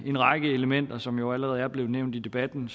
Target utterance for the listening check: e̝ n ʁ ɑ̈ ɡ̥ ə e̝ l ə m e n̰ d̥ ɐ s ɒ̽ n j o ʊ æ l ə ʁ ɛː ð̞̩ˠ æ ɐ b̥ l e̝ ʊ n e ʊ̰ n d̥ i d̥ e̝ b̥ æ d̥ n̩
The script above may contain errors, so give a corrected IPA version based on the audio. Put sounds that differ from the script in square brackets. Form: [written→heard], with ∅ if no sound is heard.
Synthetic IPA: e̝ n ʁ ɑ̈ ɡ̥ ə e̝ l ə m e n̰ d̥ ɐ s ɒ̽ [n→m] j o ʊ æ l ə ʁ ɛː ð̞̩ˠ æ ɐ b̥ l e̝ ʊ n e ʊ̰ n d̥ i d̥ e̝ b̥ æ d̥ n̩

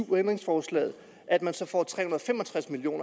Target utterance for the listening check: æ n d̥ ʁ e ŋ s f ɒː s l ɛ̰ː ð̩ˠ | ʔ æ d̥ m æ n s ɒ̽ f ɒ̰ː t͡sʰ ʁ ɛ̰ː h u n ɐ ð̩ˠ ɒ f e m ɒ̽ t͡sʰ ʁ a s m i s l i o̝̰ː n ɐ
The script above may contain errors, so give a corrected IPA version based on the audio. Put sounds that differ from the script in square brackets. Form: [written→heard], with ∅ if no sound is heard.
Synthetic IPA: [æ→e] n d̥ ʁ e ŋ s f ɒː s l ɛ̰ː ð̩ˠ | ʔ æ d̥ m æ n s ɒ̽ f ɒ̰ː t͡sʰ ʁ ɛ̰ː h u n ɐ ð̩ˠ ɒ f e m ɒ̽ t͡sʰ ʁ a s m i [s→∅] l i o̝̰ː n ɐ

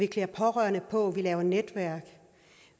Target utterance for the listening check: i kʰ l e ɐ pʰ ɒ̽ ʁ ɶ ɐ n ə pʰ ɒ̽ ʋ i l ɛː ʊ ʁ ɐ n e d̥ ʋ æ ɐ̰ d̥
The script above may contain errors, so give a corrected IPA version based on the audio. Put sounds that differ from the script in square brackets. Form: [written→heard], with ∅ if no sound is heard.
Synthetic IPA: i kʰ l e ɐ pʰ ɒ̽ ʁ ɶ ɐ n ə pʰ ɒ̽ ʋ i l ɛː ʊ [ʁ→∅] ɐ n e d̥ ʋ æ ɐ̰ [d̥→ɡ̥]

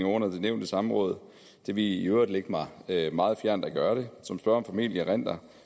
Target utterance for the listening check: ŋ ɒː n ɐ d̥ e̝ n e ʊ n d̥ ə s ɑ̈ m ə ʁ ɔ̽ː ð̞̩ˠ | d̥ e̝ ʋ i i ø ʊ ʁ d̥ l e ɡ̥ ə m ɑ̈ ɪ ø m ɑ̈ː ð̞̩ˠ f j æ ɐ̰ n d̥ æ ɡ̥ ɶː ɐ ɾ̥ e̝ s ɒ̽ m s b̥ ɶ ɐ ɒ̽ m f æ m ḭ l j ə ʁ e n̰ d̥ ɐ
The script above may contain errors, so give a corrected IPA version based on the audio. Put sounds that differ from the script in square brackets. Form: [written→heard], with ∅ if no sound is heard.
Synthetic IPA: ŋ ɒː n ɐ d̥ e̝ n e ʊ n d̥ ə s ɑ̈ m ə ʁ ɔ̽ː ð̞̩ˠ | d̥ e̝ ʋ i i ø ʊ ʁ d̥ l e ɡ̥ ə m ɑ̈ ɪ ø m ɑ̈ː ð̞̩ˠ f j æ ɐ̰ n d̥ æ ɡ̥ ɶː ɐ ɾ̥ e̝ s ɒ̽ m s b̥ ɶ ɐ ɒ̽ m f æ m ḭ l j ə ʁ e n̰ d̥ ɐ

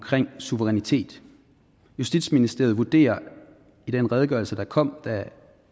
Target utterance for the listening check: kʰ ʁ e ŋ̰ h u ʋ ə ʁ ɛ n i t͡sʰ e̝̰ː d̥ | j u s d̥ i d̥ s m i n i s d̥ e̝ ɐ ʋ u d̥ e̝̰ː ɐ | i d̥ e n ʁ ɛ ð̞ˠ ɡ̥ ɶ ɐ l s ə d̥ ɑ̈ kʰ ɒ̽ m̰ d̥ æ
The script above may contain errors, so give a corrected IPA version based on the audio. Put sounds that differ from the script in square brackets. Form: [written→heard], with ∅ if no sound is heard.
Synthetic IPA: kʰ ʁ e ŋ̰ [h→s] u ʋ ə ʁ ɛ n i t͡sʰ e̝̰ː d̥ | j u s d̥ i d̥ s m i n i s d̥ e̝ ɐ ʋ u d̥ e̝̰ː ɐ | i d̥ e n ʁ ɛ ð̞ˠ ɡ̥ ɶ ɐ l s ə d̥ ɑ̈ kʰ ɒ̽ m̰ d̥ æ

